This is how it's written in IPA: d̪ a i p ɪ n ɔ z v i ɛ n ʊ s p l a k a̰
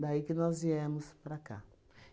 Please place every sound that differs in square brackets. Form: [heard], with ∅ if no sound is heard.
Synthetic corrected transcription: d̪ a i [k] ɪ n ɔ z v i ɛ [m] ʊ s p [ɾ] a k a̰